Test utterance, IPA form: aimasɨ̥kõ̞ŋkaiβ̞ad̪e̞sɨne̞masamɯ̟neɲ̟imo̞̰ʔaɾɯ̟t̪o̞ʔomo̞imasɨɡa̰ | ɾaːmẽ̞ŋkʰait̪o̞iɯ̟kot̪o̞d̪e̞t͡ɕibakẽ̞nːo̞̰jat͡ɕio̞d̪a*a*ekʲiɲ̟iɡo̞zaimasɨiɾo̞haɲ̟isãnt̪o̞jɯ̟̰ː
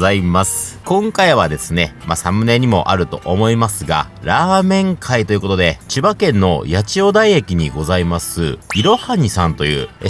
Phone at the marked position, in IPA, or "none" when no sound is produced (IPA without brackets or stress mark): i